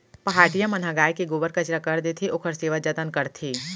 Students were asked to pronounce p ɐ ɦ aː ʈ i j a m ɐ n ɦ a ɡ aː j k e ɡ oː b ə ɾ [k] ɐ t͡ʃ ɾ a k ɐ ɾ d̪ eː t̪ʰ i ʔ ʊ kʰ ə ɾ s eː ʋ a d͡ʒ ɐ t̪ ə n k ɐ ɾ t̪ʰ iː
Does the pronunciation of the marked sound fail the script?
no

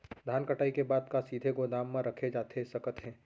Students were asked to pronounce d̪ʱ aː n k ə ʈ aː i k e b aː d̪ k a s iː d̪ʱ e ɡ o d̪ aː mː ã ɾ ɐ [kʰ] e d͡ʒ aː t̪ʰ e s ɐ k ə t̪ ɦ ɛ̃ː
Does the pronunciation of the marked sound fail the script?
no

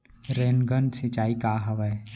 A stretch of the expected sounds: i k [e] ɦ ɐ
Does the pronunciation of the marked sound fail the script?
yes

